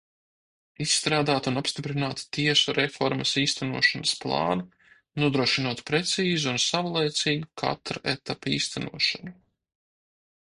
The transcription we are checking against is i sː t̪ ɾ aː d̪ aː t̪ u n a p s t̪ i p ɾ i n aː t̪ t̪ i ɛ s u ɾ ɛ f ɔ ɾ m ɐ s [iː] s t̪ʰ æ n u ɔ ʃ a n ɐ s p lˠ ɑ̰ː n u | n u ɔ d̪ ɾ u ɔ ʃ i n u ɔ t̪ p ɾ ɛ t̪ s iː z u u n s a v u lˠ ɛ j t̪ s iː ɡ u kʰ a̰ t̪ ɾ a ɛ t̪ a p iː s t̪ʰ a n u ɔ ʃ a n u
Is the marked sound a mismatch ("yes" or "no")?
no